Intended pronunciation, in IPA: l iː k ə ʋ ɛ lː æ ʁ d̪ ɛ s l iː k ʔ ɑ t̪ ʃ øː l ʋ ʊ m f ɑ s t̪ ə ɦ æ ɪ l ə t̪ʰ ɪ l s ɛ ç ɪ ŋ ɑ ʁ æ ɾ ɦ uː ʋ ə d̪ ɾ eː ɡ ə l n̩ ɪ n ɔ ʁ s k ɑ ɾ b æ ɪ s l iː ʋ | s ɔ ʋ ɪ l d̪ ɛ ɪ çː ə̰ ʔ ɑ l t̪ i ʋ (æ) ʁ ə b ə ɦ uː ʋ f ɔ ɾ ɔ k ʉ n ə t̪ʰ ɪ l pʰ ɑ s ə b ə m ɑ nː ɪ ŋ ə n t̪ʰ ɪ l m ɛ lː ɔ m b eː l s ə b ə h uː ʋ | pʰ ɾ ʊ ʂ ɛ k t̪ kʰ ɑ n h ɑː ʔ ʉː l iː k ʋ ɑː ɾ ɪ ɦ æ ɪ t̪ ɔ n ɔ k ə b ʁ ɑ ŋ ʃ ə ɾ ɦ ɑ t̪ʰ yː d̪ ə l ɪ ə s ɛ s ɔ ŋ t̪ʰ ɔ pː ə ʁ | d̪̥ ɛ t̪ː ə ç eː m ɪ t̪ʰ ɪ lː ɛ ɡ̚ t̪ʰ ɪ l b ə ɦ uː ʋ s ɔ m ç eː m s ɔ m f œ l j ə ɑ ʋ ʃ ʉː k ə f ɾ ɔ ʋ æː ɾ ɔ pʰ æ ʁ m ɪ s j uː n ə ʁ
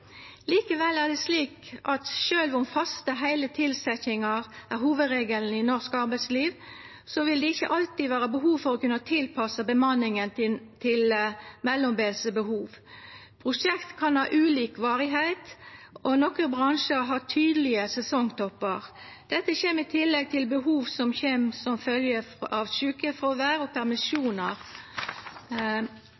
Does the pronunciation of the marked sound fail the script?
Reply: yes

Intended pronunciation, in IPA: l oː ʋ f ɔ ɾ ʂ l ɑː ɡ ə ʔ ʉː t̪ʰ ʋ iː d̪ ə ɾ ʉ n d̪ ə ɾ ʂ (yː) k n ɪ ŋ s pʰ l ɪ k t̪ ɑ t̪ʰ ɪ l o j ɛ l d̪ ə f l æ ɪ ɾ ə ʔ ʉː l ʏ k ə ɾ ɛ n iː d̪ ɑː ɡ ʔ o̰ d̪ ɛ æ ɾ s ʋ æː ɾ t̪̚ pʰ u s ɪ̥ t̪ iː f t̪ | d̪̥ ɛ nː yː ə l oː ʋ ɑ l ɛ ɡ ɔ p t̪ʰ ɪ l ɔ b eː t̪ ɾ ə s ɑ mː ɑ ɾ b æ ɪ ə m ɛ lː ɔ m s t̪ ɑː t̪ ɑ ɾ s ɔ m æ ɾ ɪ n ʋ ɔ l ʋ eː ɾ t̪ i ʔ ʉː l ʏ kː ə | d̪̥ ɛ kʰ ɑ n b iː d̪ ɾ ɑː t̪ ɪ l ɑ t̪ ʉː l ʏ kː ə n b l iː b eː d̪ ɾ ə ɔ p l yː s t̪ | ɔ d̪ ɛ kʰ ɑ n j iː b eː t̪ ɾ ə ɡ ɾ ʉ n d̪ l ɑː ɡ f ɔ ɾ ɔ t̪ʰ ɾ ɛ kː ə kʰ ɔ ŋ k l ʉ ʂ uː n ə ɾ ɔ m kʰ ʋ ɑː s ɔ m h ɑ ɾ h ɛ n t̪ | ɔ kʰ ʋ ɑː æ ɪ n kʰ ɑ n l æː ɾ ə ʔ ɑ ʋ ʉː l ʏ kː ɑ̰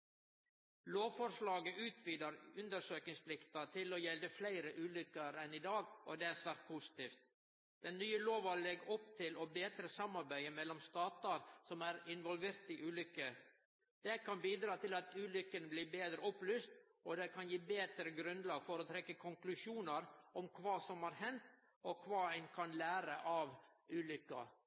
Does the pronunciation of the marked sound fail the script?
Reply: yes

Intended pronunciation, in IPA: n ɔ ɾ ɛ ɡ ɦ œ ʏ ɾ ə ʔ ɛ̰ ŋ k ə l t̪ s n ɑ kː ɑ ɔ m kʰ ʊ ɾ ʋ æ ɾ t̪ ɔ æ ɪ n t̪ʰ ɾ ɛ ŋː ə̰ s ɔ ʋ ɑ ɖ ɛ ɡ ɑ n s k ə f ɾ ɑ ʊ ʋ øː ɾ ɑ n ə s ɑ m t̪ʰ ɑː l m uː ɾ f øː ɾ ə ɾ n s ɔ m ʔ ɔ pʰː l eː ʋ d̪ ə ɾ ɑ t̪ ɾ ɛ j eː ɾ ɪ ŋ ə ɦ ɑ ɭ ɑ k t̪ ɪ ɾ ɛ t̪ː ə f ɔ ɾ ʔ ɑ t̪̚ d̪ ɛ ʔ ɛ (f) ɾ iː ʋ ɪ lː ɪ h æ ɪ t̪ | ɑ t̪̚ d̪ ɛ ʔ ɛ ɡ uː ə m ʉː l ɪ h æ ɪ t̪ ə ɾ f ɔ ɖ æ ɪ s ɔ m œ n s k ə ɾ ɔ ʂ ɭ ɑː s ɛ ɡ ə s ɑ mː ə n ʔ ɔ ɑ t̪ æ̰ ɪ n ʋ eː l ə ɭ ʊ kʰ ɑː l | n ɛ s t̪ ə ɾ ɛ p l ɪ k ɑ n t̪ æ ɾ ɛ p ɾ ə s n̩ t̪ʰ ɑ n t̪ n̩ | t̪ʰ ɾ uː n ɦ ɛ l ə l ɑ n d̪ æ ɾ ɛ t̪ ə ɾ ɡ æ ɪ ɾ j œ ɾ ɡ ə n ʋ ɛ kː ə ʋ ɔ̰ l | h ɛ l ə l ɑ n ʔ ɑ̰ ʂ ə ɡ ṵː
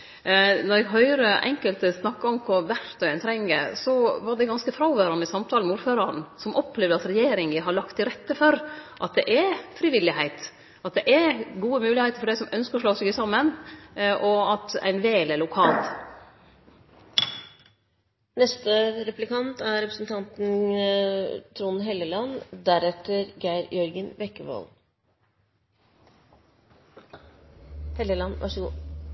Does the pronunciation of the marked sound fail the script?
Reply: no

